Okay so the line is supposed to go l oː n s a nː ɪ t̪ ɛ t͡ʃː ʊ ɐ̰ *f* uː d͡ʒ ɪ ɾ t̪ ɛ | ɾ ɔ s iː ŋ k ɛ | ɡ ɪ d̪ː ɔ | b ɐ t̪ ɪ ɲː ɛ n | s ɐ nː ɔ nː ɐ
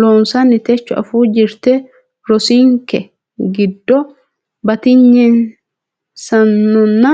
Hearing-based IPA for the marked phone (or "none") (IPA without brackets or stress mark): f